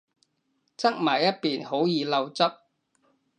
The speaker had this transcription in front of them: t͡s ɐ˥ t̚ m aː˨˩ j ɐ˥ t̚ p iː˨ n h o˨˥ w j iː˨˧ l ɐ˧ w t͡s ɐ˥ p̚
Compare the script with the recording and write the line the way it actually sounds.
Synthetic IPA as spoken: t͡s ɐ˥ k̚ m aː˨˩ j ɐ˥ t̚ p iː˨ n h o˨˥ w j iː˨˧ l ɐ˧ w t͡s ɐ˥ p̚

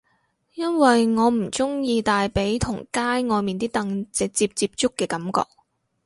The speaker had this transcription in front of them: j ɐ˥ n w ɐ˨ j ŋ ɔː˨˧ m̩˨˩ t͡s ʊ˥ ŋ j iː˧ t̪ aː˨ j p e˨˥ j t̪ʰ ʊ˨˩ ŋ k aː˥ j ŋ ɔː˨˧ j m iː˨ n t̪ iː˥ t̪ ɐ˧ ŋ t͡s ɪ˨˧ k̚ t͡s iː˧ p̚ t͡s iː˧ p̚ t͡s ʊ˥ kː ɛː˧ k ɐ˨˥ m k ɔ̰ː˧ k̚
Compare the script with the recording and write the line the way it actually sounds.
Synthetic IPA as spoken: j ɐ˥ n w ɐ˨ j ŋ ɔː˨˧ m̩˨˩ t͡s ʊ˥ ŋ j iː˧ t̪ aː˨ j p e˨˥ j t̪ʰ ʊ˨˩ ŋ k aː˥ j ŋ ɔː˨˧ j m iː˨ n t̪ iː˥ t̪ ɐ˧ ŋ t͡s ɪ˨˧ k̚ t͡s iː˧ p̚ t͡s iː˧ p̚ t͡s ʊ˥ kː ɛː˧ k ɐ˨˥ m k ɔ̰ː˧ k̚

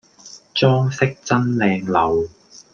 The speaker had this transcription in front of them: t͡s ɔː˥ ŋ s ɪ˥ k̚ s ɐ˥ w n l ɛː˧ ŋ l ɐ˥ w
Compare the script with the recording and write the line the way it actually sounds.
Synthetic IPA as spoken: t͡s ɔː˥ ŋ s ɪ˥ k̚ t͡s ɐ˥ n l ɛː˧ ŋ l ɐ˨ w

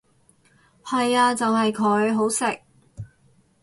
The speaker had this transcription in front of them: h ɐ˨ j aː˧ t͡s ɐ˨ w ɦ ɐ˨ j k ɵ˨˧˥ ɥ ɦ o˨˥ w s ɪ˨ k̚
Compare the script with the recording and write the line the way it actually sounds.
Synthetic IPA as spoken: h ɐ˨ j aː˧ t͡s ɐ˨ w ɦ ɐ˨ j kʰ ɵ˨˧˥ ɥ ɦ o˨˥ w s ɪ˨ k̚

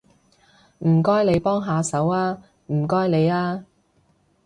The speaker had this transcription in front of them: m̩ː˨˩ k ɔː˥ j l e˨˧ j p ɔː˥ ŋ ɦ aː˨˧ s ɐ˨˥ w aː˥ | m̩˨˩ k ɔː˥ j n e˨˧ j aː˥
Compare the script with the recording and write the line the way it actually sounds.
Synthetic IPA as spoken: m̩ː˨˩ k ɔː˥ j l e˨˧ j p ɔː˥ ŋ ɦ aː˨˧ s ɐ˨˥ w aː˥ | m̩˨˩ k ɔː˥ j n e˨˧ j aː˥

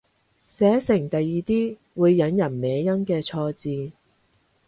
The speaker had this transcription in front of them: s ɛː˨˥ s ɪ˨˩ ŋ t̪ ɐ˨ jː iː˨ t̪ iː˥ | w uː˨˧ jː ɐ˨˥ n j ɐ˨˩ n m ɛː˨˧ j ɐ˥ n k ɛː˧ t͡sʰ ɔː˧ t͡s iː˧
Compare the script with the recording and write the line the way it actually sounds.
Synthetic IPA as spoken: s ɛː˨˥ s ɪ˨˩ ŋ t̪ ɐ˨ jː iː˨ t̪ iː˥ | w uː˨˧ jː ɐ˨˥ n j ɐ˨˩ n m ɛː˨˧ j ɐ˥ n k ɛː˧ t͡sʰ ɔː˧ t͡s iː˧

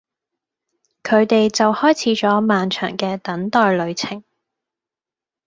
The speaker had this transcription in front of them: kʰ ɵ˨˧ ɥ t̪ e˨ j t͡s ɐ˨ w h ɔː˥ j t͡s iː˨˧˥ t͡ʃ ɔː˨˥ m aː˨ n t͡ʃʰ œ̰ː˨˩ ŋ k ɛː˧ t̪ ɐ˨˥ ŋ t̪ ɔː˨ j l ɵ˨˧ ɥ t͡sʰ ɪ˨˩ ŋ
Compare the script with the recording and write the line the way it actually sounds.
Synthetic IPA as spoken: kʰ ɵ˨˧ ɥ t̪ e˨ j t͡s ɐ˨ w h ɔː˥ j t͡sʰ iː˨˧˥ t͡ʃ ɔː˨˥ m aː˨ n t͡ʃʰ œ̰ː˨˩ ŋ k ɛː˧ t̪ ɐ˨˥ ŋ t̪ ɔː˨ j l ɵ˨˧ ɥ t͡sʰ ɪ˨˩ ŋ

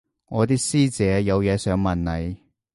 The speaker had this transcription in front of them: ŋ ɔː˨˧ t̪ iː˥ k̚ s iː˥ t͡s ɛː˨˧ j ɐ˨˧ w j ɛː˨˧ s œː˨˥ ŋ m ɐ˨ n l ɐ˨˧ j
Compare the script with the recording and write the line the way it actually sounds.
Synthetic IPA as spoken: ŋ ɔː˨˧ t̪ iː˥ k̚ s iː˥ t͡s ɛː˨˧ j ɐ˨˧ w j ɛː˨˧ s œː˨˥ ŋ m ɐ˨ n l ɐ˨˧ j

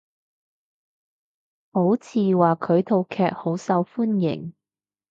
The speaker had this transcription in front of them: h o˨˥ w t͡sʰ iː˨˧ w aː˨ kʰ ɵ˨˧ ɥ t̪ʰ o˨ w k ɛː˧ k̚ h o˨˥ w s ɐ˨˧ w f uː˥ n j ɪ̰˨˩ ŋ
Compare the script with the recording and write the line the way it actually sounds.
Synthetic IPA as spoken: h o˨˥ w t͡sʰ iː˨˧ w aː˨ kʰ ɵ˨˧ ɥ t̪ʰ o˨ w kʰ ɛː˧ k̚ h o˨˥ w s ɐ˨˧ w f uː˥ n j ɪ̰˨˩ ŋ

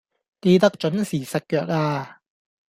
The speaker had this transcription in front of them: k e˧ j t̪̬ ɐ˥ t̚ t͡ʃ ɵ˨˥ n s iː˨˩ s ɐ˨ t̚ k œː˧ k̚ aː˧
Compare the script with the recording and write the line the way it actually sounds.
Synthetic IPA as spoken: k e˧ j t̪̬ ɐ˥ k̚ t͡ʃ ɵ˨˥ n s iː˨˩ s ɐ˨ t̚ k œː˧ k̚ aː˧

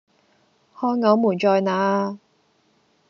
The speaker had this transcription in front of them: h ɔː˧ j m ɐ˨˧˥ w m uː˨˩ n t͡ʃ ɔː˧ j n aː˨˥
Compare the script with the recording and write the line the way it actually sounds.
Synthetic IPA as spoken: h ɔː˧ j ŋ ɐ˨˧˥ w m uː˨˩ n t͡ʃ ɔː˧ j n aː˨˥

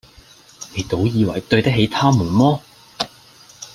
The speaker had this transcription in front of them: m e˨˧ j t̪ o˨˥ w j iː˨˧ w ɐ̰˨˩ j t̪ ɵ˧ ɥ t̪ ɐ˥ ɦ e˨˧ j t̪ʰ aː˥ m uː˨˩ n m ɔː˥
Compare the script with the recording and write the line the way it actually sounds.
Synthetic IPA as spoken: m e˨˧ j t̪ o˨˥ w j iː˨˧ w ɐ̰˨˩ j t̪ ɵ˧ ɥ t̪ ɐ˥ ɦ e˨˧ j t̪ʰ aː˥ m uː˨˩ n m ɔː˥

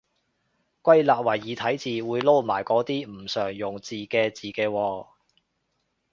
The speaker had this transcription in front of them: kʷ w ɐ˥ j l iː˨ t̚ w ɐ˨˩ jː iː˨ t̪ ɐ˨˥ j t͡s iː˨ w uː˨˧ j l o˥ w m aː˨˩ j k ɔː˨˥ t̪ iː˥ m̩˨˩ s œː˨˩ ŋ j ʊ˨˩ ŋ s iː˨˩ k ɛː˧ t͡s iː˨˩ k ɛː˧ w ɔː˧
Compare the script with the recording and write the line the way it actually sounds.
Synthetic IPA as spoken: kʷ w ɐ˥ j l aː˨ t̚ w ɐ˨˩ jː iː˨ t̪ʰ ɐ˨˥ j t͡s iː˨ w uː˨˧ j l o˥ w m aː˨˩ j k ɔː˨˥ t̪ iː˥ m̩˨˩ s œː˨˩ ŋ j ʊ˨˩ ŋ t͡s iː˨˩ k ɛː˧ t͡s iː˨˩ k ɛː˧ w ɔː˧

